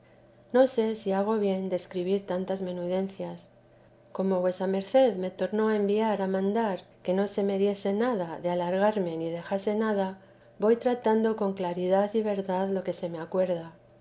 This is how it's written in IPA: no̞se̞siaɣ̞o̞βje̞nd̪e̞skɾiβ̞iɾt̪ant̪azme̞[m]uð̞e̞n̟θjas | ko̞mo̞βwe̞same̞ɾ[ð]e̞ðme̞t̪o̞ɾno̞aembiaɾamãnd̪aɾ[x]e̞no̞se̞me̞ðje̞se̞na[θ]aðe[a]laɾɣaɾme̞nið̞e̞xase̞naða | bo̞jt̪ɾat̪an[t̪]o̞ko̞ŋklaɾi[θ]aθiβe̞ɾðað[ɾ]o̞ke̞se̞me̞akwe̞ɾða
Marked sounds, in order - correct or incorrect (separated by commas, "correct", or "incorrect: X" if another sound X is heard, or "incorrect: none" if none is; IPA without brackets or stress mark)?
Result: incorrect: n, incorrect: θ, incorrect: k, incorrect: ð, correct, incorrect: d̪, incorrect: ð, incorrect: l